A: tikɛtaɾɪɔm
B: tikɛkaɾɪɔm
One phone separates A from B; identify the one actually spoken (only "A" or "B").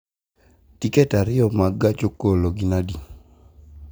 A